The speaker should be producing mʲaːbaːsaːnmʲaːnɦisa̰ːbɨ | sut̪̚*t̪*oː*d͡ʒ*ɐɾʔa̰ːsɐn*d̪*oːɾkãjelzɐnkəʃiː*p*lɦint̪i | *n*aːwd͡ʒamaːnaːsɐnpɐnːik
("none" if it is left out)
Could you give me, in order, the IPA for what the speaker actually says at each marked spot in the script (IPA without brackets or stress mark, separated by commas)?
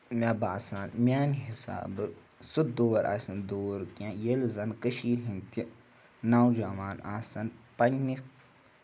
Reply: d̪, none, d̪, none, n